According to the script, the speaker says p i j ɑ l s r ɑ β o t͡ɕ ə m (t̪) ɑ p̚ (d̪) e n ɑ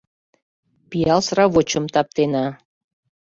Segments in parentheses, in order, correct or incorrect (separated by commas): correct, incorrect